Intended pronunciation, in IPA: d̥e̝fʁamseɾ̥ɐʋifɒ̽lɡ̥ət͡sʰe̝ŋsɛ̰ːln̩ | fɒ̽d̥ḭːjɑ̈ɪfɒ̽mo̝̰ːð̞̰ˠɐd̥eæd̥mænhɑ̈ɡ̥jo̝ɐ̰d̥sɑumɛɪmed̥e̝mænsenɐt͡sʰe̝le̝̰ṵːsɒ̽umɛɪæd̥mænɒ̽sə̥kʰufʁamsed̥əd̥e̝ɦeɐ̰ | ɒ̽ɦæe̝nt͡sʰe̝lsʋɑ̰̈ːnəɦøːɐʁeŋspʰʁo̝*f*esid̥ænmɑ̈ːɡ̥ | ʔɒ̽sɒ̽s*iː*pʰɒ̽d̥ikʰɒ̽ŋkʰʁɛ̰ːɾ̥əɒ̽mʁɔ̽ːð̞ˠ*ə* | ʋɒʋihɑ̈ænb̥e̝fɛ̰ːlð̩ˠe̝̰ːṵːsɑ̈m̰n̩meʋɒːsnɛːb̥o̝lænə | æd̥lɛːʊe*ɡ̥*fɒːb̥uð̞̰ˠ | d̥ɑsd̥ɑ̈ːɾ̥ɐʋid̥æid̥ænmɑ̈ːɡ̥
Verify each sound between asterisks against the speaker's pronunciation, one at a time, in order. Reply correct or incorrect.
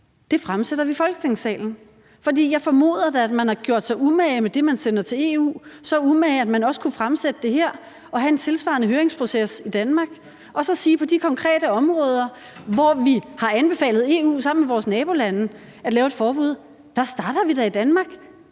incorrect: s, correct, incorrect: ɐ, incorrect: d̥

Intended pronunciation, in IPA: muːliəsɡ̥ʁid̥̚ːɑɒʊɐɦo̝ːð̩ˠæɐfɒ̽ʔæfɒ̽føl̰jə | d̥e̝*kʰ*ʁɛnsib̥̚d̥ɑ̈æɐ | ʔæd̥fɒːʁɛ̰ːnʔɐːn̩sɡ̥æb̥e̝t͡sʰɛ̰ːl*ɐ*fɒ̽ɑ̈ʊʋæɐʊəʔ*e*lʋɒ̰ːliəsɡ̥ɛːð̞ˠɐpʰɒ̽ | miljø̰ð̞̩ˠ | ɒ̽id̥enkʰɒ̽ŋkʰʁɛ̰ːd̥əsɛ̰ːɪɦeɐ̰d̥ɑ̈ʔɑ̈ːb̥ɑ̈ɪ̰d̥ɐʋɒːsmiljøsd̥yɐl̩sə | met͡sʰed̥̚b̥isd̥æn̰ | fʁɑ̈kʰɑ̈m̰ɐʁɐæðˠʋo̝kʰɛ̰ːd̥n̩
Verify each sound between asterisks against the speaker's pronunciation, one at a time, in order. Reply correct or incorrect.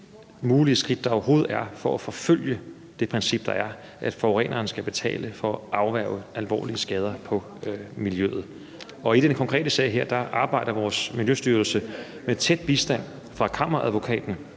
incorrect: pʰ, incorrect: ə, incorrect: æ

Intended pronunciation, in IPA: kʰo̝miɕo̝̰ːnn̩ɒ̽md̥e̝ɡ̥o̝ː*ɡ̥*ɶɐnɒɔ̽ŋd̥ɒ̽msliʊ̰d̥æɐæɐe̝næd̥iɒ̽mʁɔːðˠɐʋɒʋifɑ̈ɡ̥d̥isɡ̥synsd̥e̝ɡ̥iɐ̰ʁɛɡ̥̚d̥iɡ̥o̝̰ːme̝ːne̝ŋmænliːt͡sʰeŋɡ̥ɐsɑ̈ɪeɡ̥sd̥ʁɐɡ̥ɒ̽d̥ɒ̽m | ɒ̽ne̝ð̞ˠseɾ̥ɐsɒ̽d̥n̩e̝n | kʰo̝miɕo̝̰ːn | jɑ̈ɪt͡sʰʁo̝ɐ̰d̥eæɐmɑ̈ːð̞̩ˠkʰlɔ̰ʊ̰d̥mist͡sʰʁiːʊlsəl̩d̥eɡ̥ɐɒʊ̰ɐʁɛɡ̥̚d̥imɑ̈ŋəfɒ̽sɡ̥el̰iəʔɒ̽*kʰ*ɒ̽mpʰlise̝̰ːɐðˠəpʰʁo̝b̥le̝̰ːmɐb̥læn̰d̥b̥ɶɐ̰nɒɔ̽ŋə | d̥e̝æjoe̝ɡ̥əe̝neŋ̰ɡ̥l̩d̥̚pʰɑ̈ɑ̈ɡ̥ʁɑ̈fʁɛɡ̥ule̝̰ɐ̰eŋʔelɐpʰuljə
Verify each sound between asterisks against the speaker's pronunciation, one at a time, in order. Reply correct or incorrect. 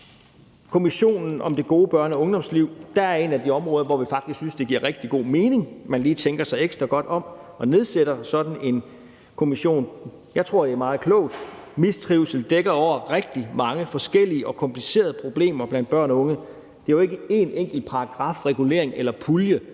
incorrect: b̥, correct

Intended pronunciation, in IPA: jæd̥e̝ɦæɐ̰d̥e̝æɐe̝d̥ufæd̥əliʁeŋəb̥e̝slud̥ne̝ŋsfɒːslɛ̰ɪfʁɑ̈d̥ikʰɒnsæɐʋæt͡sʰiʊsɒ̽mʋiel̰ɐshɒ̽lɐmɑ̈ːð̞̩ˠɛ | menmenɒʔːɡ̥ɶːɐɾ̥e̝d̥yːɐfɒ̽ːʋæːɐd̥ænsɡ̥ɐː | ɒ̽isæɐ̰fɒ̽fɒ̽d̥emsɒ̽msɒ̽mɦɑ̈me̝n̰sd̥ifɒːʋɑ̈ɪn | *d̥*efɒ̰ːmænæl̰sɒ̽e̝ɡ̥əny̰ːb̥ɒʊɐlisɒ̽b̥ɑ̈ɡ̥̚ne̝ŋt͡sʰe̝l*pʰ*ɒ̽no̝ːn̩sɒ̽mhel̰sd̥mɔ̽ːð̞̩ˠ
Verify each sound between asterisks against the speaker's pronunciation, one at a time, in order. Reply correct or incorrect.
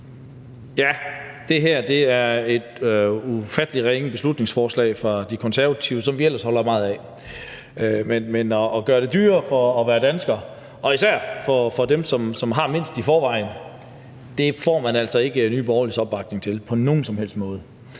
correct, correct

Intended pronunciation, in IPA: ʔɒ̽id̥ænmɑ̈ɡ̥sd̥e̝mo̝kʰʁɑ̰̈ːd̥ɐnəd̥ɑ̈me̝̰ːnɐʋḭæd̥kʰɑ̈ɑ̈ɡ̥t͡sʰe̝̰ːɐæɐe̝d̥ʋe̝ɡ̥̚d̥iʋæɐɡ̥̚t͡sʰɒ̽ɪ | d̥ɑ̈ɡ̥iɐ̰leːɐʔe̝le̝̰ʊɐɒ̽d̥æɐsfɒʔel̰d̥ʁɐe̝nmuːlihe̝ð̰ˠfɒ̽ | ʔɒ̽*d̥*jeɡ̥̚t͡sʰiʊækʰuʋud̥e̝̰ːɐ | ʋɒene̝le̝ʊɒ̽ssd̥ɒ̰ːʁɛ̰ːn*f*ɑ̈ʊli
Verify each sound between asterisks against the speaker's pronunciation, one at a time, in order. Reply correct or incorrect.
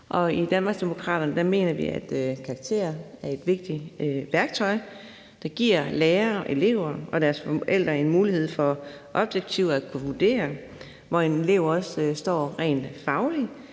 incorrect: b̥, correct

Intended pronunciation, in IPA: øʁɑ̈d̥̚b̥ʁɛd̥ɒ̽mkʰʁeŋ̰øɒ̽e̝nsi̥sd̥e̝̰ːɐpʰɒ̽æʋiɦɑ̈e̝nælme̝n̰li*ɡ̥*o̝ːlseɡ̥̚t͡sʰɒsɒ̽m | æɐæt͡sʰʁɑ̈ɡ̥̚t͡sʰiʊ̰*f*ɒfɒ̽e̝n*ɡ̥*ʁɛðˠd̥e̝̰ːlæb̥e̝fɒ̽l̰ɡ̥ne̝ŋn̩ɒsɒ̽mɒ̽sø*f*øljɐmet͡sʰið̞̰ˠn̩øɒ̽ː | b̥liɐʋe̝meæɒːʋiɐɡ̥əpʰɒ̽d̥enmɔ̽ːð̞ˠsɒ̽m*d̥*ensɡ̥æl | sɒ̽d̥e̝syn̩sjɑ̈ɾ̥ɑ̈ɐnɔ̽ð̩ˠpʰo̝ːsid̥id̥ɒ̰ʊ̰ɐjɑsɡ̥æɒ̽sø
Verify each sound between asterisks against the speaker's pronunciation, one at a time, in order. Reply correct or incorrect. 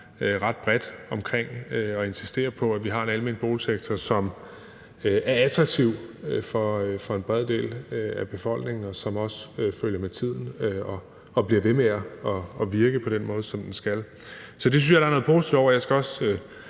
incorrect: b̥, correct, incorrect: b̥, correct, correct

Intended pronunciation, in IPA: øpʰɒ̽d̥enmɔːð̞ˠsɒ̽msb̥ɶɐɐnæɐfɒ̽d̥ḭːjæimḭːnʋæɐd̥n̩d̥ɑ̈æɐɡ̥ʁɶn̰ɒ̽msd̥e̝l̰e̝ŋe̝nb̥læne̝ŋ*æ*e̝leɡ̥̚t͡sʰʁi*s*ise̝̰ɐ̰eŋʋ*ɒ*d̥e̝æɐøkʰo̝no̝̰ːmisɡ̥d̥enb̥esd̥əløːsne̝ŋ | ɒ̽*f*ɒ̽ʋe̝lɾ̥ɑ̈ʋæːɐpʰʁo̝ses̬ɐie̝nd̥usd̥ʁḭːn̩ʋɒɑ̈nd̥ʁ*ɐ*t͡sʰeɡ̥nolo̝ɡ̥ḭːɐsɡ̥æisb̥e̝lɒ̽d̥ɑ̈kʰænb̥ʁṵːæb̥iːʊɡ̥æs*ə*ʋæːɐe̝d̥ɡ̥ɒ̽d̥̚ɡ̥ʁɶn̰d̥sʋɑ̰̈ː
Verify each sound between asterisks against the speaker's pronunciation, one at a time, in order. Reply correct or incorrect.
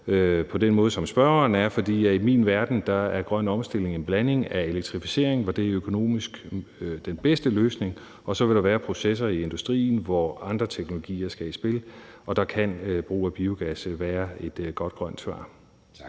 correct, incorrect: f, correct, incorrect: s, correct, correct

